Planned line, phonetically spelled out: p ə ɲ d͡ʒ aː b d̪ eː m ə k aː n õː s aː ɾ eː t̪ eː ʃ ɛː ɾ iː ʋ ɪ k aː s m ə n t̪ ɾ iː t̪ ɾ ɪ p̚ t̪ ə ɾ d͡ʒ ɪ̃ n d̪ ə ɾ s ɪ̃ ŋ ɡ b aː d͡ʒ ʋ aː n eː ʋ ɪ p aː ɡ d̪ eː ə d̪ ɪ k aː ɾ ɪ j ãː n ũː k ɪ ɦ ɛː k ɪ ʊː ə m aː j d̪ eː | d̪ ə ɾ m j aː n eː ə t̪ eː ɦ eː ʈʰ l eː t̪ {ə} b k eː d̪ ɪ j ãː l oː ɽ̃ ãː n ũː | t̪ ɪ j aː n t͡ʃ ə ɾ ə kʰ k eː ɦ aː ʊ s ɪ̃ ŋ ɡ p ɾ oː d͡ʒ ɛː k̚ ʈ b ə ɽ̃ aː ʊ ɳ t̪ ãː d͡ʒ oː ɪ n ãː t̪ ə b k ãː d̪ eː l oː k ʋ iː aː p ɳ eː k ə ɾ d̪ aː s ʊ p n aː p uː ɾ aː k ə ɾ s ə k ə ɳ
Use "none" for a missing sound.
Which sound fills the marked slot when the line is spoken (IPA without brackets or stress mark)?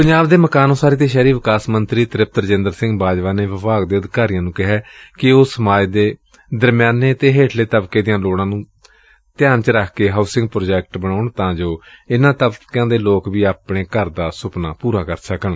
ə